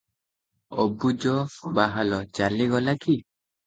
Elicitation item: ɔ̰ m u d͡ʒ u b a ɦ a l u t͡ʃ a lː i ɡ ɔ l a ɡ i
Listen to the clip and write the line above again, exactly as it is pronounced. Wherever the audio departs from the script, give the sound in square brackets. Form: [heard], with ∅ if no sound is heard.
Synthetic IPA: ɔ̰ [b] u d͡ʒ [ɔ] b a ɦ a l [ɔ] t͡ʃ a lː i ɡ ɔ l a [k] i